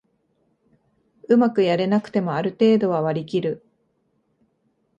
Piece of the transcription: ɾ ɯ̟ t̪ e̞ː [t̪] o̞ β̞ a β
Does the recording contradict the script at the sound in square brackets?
yes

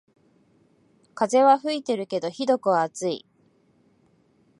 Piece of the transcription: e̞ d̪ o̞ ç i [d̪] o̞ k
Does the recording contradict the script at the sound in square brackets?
no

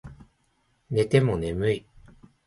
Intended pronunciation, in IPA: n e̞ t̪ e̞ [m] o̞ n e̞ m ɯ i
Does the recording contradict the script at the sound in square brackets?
no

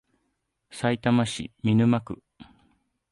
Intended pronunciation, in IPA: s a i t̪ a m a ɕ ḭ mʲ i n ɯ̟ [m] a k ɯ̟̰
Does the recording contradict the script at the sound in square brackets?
no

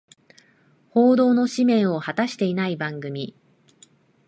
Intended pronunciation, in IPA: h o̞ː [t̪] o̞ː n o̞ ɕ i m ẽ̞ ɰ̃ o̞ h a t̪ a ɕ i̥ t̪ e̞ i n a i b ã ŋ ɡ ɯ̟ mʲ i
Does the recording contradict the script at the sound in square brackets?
yes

